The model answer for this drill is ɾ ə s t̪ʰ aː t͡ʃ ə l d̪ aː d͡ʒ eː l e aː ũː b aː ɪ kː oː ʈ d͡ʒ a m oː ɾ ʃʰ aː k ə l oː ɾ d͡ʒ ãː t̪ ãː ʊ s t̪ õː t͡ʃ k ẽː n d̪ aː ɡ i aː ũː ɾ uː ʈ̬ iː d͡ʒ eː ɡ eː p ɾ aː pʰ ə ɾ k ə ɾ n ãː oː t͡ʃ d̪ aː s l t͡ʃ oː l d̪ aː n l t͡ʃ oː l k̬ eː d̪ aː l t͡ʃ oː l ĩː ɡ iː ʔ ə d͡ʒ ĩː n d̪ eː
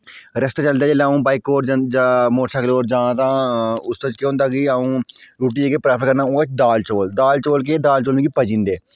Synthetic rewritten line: ɾ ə s t̪ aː t͡ʃ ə l d̪ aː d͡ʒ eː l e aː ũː b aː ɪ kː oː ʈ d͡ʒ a m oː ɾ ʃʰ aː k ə l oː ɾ d͡ʒ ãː t̪ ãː ʊ s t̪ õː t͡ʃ k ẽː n d̪ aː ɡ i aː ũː ɾ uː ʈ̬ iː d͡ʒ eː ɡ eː p ɾ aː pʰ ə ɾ k ə ɾ n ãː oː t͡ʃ d̪ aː l t͡ʃ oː l d̪ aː l t͡ʃ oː l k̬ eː d̪ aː l t͡ʃ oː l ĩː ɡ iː p ə d͡ʒ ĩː n d̪ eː